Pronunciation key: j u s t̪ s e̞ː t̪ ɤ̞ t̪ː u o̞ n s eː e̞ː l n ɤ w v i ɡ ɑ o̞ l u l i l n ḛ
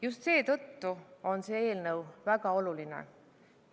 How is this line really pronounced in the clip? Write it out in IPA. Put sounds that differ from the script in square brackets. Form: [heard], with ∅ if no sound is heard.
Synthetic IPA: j u s t̪ s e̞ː t̪ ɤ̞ t̪ː u o̞ n s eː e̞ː l n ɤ w v [æ] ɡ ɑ o̞ l u l i [∅] n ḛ